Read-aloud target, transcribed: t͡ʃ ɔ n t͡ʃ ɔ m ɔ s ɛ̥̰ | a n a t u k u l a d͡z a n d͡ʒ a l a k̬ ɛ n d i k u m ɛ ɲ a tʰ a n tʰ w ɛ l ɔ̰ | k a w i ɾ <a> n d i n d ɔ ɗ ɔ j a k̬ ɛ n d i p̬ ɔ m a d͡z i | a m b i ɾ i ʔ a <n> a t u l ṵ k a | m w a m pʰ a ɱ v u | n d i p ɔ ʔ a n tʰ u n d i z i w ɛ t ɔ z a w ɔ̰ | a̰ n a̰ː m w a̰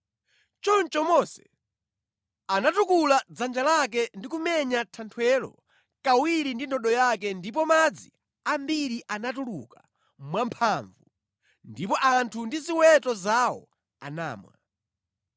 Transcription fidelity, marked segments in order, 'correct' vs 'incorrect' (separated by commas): incorrect, correct